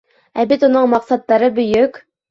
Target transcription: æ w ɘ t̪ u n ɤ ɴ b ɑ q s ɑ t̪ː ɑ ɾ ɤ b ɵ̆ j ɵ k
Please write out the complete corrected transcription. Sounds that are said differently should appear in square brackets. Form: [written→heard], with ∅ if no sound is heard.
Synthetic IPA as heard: æ [w→b] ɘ t̪ u n ɤ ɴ [b→m] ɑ q s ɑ t̪ː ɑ ɾ ɤ b ɵ̆ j ɵ k